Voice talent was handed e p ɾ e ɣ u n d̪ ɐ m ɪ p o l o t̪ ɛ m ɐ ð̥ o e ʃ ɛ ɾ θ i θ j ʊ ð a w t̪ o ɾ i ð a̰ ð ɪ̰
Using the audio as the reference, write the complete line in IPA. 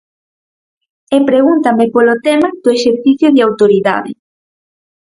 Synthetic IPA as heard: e p ɾ e ɣ u n t̪ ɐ m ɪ p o l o t̪ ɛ m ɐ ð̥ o e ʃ e ɾ θ i θ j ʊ ð a w t̪ o ɾ i ð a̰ ð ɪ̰